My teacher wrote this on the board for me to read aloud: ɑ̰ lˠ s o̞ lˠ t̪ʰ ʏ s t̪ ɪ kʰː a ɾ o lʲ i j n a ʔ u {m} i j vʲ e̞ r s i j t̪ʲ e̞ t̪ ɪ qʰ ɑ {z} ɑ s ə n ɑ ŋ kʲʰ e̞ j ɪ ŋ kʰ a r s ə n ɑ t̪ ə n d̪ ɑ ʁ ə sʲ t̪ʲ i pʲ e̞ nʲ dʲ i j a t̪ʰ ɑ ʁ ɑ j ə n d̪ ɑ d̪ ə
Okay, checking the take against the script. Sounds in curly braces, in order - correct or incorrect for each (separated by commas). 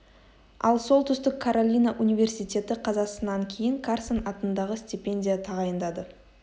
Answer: incorrect, correct